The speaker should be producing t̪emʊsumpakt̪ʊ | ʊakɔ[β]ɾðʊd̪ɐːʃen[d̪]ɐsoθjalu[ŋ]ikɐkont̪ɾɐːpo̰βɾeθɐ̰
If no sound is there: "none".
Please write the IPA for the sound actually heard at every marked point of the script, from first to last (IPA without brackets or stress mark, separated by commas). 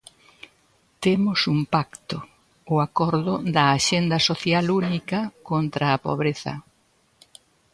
none, d̪, n